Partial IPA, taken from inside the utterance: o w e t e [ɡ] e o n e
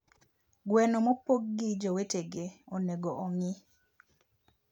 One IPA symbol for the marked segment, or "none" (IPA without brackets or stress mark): ɡ